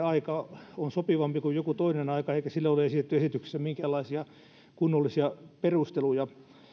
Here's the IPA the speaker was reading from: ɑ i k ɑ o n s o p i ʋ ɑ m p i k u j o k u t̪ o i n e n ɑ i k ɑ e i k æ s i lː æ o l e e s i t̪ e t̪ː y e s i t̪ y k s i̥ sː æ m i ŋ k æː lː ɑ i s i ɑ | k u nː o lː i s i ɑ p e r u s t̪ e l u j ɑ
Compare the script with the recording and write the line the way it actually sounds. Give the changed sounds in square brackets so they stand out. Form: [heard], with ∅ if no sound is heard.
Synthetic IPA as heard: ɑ i k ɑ o n s o p i ʋ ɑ m p i k u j o k u t̪ o i n e n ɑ i k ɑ e i k æ s i lː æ o l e e s i t̪ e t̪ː y e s i t̪ y k s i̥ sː æ m i ŋ k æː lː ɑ i s i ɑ | k u nː o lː i s i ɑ p e r u s t̪ e l u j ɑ